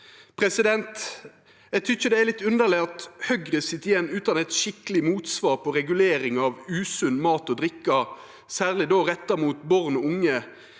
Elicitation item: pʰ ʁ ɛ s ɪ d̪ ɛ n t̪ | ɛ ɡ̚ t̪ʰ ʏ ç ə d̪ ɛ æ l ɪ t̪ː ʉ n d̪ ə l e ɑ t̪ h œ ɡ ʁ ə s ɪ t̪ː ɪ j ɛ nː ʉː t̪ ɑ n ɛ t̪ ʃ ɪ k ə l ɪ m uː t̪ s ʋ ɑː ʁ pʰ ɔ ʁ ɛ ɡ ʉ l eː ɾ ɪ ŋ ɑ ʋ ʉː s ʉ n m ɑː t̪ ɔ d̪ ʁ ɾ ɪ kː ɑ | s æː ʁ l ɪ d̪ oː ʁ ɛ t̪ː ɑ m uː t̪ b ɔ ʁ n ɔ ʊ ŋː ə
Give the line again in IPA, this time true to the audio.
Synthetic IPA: pʰ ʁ ɛ s ɪ d̪ ɛ n t̪ | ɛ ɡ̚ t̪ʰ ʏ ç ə d̪ ɛ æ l ɪ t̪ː ʉ n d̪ ə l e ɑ t̪ h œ ɡ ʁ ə s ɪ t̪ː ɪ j ɛ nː ʉː t̪ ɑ n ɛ t̪ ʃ ɪ k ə l ɪ m uː t̪ s ʋ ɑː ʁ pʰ ɔ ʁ ɛ ɡ ʉ l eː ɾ ɪ ŋ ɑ ʋ ʉː s ʉ n m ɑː t̪ ɔ d̪ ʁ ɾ ɪ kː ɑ | s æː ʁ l ɪ d̪ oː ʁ ɛ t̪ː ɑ m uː t̪ b ɔ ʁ n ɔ ʊ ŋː ə